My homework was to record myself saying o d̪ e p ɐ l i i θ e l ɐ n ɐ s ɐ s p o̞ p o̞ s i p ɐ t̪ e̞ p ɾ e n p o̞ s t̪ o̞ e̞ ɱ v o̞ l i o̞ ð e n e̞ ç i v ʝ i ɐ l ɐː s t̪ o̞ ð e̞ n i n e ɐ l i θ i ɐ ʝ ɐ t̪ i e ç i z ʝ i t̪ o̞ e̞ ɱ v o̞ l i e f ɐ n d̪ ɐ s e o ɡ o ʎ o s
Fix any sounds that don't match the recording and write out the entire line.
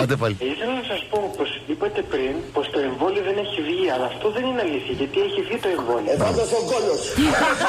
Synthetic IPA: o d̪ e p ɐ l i i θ e l ɐ n ɐ s ɐ s p o̞ p o̞ s i p ɐ t̪ e̞ p ɾ i n p o̞ s t̪ o̞ e̞ ɱ v o̞ l i o̞ ð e n e̞ ç i v ʝ i ɐ l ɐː f t̪ o̞ ð e̞ n i n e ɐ l i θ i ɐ ʝ ɐ t̪ i e ç i v ʝ i t̪ o̞ e̞ ɱ v o̞ l i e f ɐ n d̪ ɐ s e o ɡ o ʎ o s